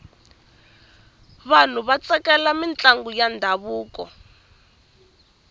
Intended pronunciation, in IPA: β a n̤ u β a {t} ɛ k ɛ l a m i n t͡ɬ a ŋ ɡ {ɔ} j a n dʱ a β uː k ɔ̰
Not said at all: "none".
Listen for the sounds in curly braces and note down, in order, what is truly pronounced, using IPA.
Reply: t͡s, u

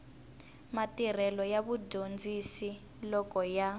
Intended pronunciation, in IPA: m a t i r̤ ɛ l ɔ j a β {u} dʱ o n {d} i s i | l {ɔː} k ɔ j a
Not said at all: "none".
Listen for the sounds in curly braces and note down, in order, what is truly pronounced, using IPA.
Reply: u, d͡z, ɔ

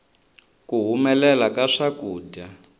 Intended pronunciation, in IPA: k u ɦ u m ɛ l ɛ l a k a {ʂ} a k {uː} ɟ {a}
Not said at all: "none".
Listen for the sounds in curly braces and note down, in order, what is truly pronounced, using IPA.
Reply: ʂ, uː, a

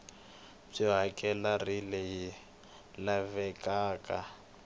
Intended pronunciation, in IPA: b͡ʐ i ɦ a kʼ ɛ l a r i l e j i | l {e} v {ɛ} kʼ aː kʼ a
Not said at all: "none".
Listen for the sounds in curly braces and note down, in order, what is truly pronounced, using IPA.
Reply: a, ɛ

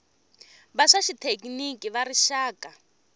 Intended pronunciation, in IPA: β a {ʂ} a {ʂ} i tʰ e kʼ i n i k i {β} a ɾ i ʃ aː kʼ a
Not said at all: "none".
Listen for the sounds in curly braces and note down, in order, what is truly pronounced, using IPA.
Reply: ʂ, ʃ, β

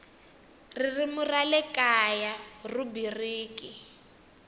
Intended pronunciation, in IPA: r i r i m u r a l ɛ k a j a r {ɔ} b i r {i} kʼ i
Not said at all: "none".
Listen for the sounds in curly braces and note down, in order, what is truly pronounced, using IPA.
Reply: u, iː

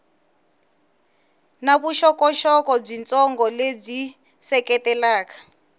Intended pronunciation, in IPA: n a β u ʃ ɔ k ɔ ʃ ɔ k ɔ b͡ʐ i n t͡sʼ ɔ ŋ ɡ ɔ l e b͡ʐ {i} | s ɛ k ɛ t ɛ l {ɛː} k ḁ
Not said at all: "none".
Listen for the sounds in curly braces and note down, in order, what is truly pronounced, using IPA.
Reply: i, aː

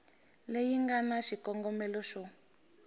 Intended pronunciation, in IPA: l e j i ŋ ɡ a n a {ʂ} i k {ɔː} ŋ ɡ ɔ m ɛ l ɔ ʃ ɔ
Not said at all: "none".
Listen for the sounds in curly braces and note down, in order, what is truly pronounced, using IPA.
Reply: ʃ, ɔ

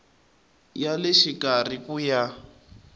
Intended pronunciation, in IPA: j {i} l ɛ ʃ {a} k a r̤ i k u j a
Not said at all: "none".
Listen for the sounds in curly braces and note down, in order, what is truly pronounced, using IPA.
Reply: a, i

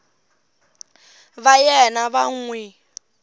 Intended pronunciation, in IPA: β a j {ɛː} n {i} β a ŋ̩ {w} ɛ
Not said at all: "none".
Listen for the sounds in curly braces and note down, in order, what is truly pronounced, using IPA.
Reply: ɛ, a, w

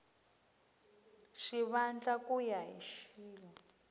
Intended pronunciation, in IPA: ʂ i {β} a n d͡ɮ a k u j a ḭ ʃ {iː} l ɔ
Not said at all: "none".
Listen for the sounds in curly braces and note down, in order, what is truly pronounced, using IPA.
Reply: β, iː

